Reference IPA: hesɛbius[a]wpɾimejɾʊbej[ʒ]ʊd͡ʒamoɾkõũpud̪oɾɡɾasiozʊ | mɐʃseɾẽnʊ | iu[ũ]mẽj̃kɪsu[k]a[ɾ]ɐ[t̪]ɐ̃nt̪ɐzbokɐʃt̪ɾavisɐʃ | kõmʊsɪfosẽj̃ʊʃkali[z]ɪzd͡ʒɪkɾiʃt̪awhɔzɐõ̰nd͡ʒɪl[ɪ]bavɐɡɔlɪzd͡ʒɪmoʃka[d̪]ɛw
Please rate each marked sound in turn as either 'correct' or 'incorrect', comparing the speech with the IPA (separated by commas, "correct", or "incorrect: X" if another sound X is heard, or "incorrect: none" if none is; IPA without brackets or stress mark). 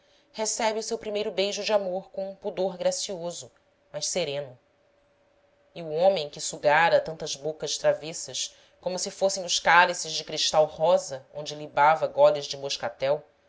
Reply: incorrect: e, correct, incorrect: õ, incorrect: ɡ, correct, correct, incorrect: s, incorrect: i, incorrect: t̪